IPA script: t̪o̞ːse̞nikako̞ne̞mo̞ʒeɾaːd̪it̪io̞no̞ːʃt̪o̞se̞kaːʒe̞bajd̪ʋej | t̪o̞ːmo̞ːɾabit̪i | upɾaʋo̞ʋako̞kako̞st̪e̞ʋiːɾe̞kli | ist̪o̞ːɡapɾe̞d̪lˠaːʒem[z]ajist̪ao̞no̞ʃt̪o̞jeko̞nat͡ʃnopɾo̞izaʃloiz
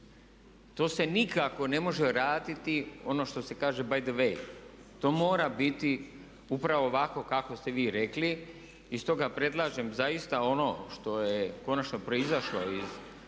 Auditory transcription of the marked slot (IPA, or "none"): z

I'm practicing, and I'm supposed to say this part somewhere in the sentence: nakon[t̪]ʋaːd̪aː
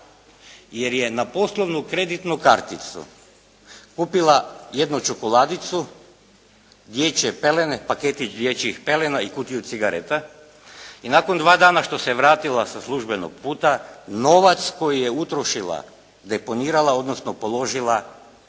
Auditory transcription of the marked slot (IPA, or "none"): d̪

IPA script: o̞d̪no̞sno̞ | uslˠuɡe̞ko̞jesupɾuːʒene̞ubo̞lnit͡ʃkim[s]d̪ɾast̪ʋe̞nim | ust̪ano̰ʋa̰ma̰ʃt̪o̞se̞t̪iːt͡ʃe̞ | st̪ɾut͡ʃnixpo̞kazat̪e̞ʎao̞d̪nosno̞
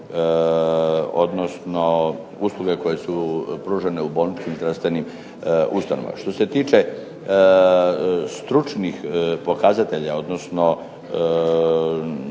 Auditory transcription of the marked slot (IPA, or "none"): z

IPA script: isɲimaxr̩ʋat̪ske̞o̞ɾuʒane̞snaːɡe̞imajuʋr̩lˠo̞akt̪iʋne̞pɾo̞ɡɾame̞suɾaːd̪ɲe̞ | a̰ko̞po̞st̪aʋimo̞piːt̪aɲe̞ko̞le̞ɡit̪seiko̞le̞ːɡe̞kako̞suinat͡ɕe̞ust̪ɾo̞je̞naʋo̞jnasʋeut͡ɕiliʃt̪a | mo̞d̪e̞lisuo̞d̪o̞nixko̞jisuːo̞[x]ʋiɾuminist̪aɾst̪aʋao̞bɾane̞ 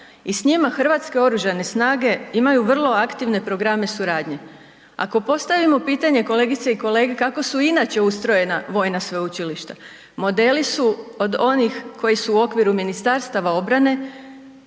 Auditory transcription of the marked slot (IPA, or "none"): k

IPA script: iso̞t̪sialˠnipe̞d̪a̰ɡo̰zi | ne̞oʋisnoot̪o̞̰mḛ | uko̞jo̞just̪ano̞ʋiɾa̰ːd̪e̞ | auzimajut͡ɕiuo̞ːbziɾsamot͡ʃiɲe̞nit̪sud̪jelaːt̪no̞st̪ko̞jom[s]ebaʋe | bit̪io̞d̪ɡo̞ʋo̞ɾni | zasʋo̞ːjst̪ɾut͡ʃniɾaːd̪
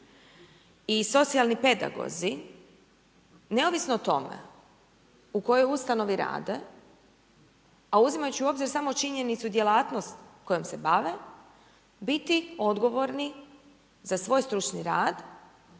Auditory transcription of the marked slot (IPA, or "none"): s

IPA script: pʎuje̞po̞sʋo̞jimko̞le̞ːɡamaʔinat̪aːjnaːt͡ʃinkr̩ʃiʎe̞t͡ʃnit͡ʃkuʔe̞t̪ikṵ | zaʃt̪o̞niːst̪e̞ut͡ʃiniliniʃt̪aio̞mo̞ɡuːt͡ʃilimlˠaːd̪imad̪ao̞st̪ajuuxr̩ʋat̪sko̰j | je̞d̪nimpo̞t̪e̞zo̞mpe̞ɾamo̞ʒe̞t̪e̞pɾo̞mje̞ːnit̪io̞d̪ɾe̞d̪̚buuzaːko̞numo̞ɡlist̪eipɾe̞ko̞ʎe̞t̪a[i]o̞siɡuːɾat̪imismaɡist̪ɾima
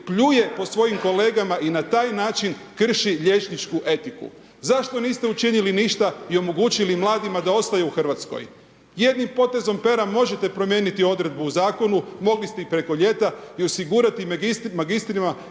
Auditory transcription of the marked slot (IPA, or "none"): i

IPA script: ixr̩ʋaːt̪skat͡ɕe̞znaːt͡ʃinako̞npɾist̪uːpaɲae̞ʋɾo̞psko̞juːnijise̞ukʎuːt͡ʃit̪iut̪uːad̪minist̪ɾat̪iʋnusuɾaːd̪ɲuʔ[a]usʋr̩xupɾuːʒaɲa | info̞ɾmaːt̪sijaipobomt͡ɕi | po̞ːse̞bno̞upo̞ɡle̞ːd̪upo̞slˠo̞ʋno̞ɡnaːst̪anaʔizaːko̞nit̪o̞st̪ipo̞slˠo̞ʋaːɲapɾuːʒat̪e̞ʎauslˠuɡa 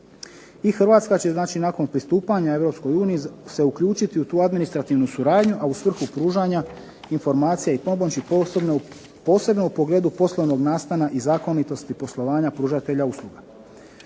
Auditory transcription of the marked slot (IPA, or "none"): a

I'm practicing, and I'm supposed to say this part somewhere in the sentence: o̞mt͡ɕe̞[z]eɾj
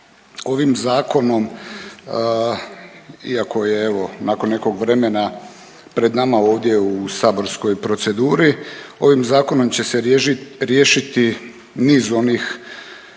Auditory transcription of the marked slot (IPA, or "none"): s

